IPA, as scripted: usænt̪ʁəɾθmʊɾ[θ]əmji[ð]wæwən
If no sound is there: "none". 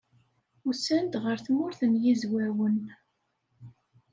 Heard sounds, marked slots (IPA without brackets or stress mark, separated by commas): θ, z